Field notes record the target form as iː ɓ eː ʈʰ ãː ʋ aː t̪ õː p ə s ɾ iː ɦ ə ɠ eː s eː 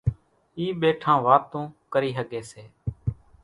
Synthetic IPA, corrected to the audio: iː ɓ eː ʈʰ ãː ʋ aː t̪ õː k ə ɾ iː ɦ ə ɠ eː s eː